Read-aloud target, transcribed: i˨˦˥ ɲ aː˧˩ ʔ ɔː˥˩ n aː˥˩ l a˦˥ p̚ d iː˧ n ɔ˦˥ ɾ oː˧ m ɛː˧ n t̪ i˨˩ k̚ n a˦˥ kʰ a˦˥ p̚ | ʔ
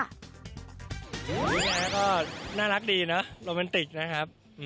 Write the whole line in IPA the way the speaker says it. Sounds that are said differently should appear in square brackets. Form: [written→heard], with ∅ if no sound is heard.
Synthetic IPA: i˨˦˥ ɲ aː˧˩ [ʔ→k] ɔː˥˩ n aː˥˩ l a˦˥ [p̚→k̚] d iː˧ n ɔ˦˥ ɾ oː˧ m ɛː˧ n t̪ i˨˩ k̚ n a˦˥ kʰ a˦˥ p̚ | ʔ